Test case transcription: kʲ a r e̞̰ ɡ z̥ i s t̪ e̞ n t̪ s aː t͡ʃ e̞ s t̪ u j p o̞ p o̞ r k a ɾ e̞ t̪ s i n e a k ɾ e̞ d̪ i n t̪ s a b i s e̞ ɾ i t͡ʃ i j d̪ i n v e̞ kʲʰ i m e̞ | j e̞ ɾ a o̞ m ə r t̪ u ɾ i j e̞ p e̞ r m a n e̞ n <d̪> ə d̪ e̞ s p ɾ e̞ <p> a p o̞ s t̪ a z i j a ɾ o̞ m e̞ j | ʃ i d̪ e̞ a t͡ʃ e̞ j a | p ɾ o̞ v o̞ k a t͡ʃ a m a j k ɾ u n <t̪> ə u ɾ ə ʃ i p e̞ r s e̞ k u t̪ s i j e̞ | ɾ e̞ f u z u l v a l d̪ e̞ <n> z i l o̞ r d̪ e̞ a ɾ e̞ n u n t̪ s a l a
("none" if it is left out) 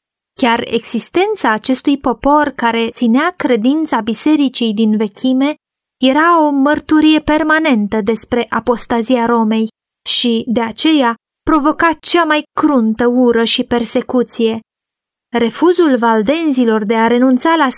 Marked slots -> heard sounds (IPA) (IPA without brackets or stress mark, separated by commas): t̪, ʔ, t̪, n